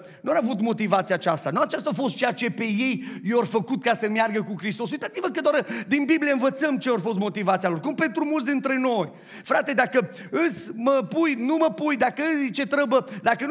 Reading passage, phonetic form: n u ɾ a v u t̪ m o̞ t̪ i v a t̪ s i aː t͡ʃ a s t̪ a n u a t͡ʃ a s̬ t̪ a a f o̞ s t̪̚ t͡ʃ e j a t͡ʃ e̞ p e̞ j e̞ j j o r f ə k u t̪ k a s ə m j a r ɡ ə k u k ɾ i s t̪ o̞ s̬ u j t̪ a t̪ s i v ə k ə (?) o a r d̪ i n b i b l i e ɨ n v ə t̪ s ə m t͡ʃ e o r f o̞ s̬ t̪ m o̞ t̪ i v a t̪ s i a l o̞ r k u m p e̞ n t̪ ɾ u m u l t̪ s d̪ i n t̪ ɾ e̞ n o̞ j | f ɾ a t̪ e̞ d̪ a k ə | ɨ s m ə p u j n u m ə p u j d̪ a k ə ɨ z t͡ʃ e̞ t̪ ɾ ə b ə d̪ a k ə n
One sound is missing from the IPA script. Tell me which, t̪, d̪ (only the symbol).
d̪